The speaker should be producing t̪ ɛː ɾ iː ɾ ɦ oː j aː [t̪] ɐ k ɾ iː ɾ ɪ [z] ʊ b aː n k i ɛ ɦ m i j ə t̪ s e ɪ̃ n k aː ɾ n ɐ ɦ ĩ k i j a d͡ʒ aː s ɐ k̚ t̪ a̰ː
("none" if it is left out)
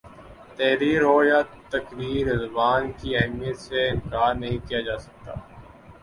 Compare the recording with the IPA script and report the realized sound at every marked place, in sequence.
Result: t̪, z

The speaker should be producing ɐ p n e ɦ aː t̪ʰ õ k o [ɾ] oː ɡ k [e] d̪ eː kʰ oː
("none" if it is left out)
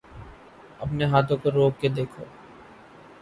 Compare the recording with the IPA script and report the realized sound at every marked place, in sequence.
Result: ɾ, e

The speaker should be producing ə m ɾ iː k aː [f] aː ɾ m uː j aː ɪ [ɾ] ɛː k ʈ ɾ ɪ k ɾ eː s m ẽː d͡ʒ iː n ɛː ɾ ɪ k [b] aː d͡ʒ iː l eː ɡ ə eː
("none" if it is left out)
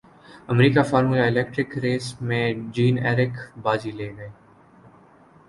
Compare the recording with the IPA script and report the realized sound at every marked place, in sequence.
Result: f, l, b

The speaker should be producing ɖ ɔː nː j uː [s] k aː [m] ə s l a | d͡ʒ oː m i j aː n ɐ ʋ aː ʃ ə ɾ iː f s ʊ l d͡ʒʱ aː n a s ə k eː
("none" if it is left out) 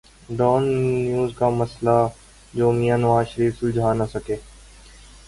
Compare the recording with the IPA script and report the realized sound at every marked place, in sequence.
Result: z, m

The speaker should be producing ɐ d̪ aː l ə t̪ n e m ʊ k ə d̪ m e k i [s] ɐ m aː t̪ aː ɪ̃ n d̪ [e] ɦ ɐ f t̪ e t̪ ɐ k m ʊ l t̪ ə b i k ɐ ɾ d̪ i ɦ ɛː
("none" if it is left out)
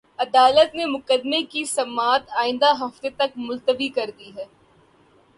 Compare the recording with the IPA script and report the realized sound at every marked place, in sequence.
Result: s, a

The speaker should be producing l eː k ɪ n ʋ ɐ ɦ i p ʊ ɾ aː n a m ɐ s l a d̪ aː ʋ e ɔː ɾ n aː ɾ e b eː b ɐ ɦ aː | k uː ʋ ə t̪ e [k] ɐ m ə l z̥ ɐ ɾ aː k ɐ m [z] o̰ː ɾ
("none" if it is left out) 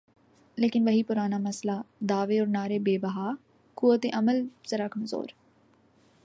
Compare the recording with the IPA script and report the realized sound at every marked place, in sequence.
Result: ʔ, z

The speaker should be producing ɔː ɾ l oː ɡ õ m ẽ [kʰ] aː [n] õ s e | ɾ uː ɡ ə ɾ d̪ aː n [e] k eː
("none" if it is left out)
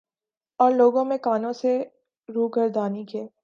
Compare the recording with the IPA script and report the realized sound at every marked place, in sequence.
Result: k, n, i

